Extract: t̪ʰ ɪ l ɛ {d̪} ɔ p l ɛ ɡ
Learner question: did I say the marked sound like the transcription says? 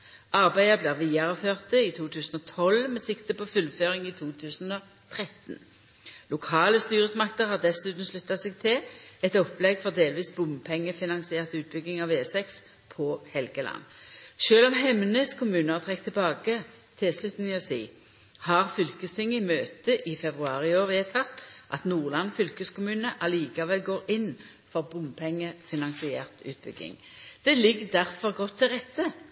no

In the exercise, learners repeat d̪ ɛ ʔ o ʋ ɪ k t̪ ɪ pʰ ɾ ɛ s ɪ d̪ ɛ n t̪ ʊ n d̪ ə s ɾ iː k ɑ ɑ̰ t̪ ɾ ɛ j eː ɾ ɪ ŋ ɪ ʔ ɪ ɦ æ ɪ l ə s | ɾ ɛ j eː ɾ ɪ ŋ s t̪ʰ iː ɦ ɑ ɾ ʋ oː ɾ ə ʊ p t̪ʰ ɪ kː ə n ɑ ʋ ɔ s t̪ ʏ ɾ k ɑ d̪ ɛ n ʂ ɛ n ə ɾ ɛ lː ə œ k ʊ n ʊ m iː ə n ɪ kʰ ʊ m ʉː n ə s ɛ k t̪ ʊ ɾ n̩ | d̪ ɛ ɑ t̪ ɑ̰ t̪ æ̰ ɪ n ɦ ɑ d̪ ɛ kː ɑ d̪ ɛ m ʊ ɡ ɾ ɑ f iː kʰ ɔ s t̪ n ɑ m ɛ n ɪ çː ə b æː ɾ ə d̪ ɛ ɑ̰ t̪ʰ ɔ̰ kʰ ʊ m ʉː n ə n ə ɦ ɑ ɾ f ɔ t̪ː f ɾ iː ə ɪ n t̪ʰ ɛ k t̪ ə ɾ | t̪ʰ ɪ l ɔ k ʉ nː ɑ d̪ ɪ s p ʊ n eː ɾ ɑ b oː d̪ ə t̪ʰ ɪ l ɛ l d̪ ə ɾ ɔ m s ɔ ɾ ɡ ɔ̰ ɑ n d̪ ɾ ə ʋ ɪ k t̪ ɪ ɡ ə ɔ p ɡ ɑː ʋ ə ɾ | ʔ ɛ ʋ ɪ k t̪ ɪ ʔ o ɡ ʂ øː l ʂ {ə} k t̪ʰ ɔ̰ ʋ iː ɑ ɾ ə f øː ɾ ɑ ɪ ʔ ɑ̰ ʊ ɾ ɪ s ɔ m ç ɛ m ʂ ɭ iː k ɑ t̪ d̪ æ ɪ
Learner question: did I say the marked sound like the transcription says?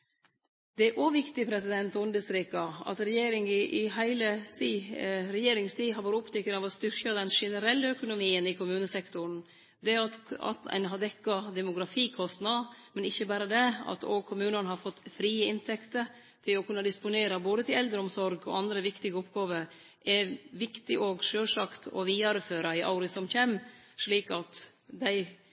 no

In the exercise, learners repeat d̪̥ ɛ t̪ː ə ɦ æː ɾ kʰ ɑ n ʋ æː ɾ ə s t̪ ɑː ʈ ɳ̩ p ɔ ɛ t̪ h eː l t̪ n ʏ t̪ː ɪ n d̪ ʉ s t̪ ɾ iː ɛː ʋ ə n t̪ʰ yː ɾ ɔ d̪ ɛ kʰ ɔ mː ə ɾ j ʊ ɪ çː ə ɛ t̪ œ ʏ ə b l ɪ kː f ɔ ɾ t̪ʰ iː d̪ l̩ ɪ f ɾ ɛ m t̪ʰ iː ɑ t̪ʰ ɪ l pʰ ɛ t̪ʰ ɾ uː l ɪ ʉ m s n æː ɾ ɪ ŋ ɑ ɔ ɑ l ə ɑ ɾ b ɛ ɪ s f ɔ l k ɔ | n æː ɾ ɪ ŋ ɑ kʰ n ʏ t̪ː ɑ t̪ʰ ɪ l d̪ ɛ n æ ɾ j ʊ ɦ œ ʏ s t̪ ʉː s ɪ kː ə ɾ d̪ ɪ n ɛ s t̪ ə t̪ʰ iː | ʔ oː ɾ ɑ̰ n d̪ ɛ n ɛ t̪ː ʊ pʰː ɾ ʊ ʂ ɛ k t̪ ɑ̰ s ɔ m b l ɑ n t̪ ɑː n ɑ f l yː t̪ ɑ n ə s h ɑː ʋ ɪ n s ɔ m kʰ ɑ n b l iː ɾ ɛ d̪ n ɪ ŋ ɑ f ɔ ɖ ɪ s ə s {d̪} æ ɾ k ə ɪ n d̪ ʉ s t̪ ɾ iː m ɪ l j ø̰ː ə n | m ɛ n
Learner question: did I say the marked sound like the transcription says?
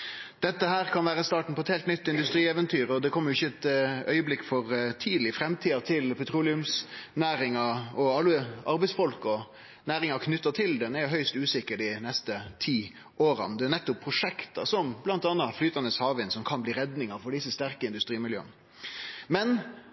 no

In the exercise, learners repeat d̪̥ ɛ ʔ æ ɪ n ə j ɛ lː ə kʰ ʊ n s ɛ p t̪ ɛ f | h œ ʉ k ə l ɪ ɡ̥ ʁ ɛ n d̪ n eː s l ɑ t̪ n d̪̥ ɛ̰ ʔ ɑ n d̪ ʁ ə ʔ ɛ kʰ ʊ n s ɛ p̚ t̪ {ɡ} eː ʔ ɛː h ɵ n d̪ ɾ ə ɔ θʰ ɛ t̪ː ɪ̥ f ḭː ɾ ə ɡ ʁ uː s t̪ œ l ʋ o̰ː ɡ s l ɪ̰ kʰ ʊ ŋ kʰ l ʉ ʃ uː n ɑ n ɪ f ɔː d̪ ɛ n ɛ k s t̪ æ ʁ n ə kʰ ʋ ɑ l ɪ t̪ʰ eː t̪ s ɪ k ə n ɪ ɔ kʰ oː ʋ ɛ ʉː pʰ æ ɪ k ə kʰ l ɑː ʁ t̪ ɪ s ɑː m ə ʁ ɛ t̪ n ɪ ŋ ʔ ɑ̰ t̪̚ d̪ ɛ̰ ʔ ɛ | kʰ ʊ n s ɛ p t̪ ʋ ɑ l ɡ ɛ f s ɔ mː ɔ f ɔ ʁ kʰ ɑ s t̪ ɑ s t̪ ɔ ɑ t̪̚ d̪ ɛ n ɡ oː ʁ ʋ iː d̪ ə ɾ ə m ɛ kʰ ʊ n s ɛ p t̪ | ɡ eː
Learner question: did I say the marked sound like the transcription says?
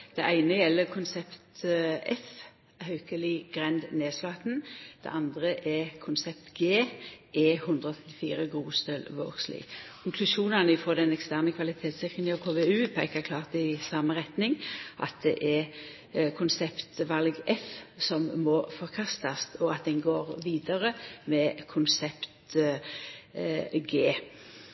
yes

